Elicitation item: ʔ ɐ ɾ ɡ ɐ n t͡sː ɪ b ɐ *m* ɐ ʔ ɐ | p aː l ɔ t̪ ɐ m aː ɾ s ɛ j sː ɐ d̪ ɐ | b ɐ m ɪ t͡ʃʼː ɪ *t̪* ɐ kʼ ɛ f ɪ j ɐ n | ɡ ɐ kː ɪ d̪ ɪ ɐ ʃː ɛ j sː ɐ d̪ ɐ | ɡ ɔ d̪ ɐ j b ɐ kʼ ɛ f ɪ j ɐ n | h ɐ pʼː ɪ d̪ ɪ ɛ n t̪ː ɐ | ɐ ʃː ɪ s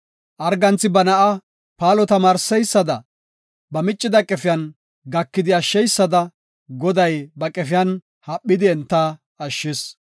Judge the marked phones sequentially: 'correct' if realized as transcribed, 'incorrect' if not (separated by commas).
incorrect, incorrect